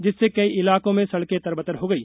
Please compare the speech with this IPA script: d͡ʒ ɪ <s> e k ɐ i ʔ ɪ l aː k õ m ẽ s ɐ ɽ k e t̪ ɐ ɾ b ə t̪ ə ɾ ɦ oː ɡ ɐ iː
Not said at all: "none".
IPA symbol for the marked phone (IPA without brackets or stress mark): sː